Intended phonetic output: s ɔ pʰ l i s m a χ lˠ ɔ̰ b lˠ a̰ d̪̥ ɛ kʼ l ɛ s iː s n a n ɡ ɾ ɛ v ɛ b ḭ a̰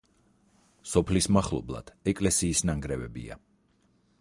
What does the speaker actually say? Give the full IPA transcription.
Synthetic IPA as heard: s ɔ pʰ l i s m a χ lˠ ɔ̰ b lˠ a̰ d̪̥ ɛ kʼ l ɛ s iː s n a ŋ ɡ ɾ ɛ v ɛ b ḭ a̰